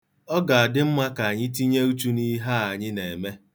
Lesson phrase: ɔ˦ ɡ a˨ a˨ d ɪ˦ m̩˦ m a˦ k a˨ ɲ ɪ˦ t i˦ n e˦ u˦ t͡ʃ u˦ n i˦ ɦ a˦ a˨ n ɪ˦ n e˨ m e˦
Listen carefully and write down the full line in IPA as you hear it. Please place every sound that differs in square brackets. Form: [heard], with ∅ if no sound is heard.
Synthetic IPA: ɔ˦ ɡ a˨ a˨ d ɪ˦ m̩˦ m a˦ k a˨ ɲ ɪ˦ t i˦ [ɲ] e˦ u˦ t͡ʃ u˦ n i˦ ɦ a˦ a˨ [ɲ] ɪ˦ n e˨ m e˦